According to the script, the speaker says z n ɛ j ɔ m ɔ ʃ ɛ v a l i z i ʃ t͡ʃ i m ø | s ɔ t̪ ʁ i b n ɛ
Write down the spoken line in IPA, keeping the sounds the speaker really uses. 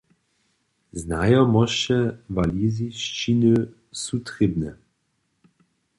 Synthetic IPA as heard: z n a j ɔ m ɔ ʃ ɛ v a l i z i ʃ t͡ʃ i n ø | s u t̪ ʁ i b n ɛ